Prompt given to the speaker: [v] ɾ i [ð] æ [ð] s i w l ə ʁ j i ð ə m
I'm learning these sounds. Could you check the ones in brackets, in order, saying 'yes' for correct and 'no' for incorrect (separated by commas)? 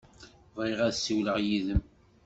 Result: yes, no, yes